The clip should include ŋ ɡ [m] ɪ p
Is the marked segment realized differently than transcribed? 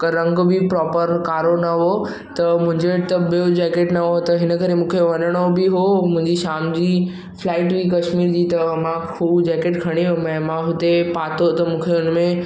yes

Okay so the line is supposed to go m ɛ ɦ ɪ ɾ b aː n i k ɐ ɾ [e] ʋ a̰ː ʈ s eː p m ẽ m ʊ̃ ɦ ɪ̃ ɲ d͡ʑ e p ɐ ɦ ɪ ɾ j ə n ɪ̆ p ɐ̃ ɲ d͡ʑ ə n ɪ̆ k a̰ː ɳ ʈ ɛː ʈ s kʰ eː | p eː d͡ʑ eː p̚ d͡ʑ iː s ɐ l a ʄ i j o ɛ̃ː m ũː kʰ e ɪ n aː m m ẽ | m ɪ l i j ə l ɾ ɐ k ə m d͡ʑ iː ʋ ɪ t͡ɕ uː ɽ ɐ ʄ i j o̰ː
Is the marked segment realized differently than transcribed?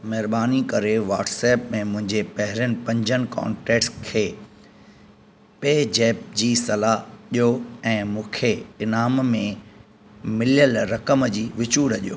no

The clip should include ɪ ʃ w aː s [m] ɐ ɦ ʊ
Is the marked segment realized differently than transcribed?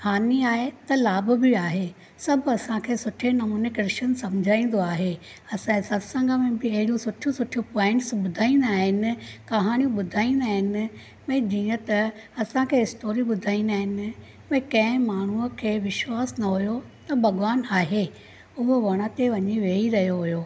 yes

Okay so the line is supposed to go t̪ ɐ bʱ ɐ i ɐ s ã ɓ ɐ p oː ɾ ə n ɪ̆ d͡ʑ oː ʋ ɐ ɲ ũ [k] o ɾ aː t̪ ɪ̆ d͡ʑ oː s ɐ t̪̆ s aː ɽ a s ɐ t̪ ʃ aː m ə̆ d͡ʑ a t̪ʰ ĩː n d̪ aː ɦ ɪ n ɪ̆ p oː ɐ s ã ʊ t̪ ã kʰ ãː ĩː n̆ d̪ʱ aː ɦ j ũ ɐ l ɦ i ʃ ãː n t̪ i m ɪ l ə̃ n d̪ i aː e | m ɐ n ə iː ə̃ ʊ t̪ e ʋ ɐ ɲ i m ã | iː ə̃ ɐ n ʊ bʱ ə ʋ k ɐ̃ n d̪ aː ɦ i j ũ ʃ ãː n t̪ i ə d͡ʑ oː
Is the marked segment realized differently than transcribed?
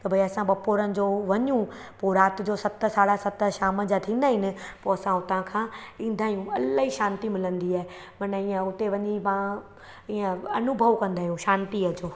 yes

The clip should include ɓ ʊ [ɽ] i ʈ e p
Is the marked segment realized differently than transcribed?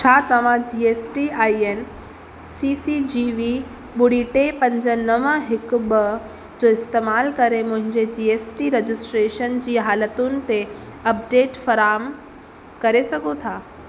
no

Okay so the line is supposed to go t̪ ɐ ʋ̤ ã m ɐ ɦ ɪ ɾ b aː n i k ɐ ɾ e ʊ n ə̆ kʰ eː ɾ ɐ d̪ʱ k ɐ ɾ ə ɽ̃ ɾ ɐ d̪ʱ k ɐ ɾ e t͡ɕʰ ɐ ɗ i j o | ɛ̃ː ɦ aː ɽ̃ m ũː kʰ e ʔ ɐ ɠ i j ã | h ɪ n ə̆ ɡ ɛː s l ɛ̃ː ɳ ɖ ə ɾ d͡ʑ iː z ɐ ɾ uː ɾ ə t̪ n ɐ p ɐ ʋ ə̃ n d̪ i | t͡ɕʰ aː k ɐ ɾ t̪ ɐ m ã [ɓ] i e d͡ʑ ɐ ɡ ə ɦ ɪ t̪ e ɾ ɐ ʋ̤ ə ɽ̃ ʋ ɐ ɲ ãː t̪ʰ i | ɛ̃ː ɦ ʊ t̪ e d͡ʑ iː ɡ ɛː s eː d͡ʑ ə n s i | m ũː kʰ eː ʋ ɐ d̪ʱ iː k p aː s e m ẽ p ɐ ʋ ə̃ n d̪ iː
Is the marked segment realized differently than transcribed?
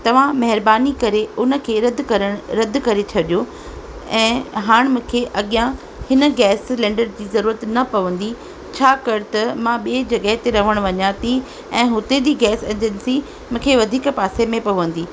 no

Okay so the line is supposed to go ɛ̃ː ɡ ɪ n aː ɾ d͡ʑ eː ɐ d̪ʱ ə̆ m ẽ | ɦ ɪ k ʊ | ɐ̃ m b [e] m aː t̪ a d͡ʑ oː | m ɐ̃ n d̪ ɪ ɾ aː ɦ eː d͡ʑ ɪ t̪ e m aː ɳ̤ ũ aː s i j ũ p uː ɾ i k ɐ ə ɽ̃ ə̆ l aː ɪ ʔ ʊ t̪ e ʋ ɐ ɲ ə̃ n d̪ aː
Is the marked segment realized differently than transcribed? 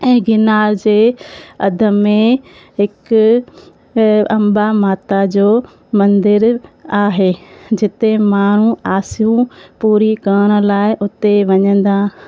yes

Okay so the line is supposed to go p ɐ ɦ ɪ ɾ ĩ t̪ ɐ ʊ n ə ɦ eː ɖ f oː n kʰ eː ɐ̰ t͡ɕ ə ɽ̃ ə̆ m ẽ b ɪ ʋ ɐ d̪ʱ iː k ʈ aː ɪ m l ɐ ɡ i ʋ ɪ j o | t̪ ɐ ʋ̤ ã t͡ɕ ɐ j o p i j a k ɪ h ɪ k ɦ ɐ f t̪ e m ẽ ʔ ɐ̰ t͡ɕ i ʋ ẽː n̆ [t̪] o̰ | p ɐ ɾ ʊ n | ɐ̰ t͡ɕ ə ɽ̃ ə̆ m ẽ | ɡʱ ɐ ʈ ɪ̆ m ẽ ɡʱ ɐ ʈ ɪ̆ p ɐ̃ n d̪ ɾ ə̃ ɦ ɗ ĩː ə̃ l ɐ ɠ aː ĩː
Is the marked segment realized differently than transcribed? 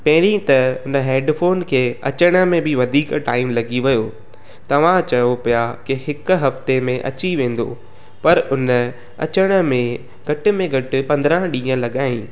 yes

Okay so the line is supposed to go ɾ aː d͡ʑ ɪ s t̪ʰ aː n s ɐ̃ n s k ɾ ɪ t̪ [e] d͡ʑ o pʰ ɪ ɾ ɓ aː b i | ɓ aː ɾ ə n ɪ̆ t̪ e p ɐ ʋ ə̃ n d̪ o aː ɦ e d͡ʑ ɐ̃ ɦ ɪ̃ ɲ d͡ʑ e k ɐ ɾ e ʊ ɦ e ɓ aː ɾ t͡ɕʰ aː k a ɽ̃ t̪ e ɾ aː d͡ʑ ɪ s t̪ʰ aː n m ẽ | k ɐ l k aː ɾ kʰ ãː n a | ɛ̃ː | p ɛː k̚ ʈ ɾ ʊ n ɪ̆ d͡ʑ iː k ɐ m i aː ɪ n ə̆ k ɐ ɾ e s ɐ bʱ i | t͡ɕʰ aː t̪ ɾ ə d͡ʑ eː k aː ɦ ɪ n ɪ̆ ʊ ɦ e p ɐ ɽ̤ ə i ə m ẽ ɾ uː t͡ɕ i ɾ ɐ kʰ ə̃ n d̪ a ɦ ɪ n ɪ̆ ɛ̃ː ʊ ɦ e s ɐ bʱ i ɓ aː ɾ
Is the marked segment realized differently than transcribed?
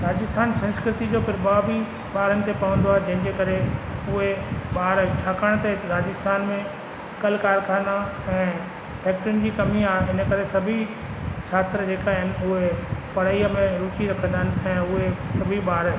yes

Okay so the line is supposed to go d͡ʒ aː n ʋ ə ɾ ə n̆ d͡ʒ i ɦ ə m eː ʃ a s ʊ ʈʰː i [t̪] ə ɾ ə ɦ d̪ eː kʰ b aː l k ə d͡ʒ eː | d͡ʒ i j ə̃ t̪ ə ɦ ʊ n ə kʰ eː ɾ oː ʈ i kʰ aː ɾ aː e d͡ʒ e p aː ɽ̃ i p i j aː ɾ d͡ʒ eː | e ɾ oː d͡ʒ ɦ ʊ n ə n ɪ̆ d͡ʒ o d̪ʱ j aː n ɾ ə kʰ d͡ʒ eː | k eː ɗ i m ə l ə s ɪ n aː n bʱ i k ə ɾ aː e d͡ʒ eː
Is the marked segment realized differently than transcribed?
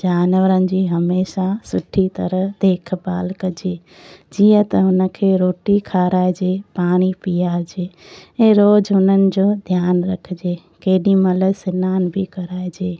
no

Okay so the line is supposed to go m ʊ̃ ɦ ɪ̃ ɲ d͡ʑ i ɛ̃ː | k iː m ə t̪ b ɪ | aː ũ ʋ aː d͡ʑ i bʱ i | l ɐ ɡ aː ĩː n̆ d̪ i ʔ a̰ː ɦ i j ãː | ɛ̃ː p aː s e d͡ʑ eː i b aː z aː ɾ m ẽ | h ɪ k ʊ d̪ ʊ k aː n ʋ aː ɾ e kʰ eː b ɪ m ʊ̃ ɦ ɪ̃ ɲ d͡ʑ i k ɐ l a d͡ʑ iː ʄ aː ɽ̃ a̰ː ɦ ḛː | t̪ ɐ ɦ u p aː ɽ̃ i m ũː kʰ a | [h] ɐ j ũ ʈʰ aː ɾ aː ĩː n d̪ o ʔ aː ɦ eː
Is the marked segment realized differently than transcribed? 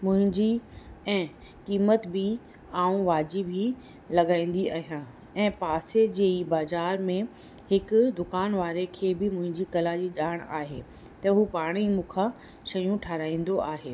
yes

